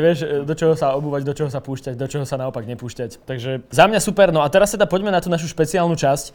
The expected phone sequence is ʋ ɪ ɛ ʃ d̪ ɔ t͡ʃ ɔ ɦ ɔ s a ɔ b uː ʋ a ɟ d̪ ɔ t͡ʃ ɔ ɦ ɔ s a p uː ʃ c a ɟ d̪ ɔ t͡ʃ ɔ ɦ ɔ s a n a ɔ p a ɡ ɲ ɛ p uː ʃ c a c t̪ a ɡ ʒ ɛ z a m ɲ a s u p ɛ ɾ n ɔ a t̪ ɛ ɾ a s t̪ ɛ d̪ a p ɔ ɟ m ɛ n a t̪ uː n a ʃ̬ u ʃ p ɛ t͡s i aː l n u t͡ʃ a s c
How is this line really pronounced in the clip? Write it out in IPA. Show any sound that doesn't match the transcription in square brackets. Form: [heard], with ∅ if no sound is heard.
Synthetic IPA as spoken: ʋ ɪ ɛ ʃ d̪ ɔ t͡ʃ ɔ ɦ ɔ s a ɔ b uː ʋ a ɟ d̪ ɔ t͡ʃ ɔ ɦ ɔ s a p uː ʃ c a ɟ d̪ ɔ t͡ʃ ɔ ɦ ɔ s a n a ɔ p a ɡ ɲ ɛ p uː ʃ c a c t̪ a ɡ ʒ ɛ z a m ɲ a s u p ɛ ɾ n ɔ a t̪ ɛ ɾ a s t̪ ɛ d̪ a p ɔ ɟ m ɛ n a t̪ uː n a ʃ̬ u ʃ p ɛ t͡s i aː l n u t͡ʃ a s c